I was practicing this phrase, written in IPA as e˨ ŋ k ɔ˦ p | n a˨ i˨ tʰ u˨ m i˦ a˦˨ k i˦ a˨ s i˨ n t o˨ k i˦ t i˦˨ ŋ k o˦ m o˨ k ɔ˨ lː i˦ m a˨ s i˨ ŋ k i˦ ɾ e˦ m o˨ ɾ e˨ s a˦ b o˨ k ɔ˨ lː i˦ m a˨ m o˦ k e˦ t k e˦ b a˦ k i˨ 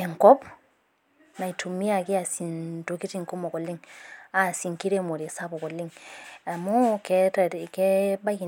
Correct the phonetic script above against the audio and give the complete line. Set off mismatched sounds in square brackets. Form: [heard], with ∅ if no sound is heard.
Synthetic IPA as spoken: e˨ ŋ k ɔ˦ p | n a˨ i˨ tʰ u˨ m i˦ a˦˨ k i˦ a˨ s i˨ n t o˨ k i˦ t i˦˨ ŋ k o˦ m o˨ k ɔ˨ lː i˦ [ŋ] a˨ s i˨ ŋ k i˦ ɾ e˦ m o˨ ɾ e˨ s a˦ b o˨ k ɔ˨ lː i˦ [ŋ] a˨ m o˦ k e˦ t k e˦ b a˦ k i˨